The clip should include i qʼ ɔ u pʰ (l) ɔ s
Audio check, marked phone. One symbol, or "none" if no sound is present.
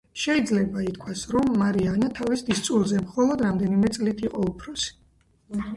ɾ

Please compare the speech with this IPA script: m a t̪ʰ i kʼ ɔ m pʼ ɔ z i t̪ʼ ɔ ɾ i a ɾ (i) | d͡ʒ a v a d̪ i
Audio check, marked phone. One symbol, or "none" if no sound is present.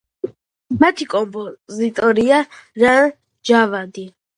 a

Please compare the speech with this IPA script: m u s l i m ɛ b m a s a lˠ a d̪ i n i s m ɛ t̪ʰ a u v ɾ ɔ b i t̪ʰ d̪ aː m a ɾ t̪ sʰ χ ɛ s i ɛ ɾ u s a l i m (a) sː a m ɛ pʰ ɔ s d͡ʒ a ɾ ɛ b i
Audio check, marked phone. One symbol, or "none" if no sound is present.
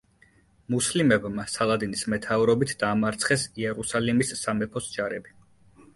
i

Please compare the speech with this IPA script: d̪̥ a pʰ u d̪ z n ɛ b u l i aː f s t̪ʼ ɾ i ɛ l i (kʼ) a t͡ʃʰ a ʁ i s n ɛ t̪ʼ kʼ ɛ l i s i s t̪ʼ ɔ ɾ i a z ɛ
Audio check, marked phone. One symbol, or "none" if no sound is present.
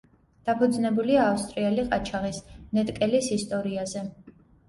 qʼ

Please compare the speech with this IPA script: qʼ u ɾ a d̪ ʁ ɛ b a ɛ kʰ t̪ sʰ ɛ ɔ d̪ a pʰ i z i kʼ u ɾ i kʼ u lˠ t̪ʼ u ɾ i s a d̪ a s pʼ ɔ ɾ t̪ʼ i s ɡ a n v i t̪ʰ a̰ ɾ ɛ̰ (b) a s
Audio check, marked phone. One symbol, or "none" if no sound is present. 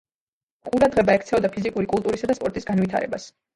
b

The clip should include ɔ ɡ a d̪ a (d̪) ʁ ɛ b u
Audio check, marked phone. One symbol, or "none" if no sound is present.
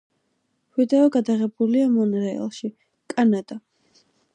none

